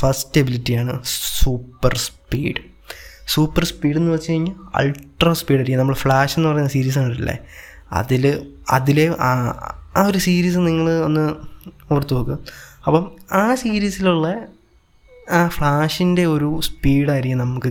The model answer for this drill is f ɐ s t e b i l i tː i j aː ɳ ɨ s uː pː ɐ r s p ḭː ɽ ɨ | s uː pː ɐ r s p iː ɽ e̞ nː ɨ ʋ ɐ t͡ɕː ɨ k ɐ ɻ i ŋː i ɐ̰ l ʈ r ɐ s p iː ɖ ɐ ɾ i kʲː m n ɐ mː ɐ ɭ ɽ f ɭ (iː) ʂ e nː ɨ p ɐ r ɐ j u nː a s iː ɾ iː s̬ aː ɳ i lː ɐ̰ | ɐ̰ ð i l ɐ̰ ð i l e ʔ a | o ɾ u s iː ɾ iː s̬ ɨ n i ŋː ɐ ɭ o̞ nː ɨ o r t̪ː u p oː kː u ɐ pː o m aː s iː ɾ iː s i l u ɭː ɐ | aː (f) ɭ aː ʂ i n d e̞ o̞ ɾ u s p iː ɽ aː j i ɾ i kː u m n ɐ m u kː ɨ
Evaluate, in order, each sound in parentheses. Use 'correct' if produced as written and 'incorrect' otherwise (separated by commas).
incorrect, correct